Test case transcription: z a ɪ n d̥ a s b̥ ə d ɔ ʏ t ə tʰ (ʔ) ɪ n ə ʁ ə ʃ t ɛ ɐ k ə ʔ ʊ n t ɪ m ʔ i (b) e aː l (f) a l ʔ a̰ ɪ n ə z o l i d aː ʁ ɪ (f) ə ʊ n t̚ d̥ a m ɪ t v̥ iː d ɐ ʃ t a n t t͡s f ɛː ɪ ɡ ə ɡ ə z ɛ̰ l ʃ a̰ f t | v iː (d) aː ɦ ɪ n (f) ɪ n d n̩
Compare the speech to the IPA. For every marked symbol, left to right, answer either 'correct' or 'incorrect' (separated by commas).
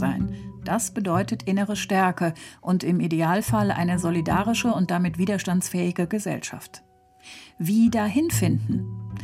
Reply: correct, incorrect, correct, incorrect, correct, correct